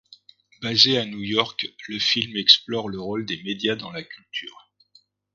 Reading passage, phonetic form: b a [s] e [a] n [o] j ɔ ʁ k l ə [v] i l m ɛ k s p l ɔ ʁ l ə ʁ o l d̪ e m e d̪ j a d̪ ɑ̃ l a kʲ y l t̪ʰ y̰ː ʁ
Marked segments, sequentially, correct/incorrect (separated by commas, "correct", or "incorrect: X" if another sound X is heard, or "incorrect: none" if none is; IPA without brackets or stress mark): incorrect: z, correct, incorrect: u, incorrect: f